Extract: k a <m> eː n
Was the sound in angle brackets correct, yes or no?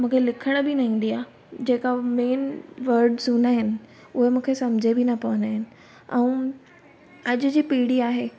yes